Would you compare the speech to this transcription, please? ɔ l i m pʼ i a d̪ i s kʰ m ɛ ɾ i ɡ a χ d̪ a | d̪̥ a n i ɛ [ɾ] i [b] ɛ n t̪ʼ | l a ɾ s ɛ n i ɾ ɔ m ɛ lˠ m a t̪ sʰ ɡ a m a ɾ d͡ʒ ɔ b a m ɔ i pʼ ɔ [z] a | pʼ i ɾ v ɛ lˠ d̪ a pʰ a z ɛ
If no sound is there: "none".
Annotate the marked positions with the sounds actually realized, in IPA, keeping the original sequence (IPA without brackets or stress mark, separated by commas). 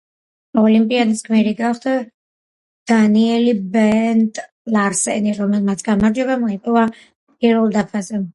l, b, v